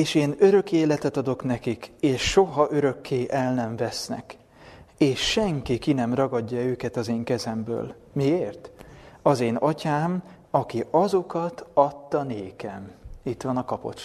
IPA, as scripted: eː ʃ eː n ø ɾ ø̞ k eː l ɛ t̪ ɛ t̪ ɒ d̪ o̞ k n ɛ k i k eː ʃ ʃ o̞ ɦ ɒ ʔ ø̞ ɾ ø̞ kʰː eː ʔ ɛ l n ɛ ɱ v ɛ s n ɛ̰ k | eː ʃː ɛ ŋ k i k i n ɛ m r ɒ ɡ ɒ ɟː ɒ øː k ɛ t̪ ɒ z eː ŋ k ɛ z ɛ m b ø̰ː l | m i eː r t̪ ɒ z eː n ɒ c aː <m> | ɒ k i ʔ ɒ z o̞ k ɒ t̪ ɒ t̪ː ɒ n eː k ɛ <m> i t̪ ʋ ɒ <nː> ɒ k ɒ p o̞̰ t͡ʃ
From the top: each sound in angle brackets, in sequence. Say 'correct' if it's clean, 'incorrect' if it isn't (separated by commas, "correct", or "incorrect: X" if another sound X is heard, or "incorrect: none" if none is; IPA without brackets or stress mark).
correct, correct, incorrect: n